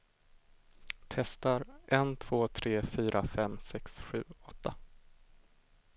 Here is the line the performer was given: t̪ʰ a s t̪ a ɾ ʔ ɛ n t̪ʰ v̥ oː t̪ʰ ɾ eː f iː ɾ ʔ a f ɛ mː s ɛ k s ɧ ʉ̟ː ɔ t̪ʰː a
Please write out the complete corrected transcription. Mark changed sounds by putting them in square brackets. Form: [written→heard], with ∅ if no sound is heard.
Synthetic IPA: t̪ʰ [a→ɛ] s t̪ a ɾ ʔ ɛ n t̪ʰ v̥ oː t̪ʰ ɾ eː f [iː→yː] ɾ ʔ a f ɛ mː s ɛ k s ɧ ʉ̟ː ɔ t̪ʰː a